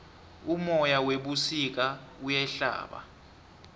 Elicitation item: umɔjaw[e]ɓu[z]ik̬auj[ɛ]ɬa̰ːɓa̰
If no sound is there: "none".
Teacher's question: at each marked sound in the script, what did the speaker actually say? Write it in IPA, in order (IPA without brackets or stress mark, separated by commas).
e, s, ɛ